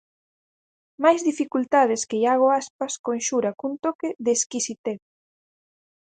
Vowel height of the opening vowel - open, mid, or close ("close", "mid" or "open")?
open